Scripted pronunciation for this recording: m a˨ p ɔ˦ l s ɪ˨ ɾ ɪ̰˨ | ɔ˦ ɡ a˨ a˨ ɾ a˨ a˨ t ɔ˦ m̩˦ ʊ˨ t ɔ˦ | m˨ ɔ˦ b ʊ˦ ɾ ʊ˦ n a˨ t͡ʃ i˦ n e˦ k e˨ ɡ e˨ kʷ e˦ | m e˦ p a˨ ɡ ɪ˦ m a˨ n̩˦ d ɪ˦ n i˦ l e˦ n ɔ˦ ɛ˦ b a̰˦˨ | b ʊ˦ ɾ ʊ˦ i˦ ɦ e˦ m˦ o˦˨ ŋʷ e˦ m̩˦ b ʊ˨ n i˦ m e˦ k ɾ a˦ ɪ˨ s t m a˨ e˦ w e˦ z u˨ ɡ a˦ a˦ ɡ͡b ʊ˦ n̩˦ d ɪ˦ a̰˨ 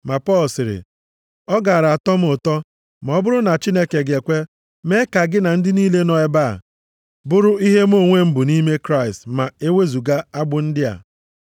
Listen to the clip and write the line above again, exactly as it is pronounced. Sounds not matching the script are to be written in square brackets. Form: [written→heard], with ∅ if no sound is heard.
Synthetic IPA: m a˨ p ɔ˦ l s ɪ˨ ɾ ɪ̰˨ | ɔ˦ ɡ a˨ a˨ ɾ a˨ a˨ t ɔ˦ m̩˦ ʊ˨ t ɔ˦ | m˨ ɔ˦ b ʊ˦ ɾ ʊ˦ n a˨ t͡ʃ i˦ n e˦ k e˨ ɡ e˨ kʷ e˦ | m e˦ [p→k] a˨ ɡ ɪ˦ [m→n] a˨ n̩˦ d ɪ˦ n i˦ l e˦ n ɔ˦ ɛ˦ b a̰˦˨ | b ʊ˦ ɾ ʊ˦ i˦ ɦ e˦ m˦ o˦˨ ŋʷ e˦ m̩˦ b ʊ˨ n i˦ m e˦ k ɾ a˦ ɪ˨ s t m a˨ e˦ w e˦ z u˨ ɡ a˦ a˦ ɡ͡b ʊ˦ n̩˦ d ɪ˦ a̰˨